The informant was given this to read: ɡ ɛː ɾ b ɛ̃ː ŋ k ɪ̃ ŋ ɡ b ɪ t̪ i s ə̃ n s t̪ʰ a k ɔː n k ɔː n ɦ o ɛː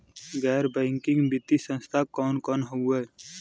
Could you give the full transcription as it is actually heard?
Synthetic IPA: ɡ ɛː ɾ b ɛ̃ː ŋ k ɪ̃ ŋ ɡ b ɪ t̪ i s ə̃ n s t̪ʰ a k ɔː n k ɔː n ɦ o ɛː